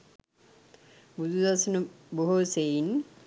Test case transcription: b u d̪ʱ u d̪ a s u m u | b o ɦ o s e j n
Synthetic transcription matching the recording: b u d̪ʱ u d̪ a s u n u | b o ɦ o s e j n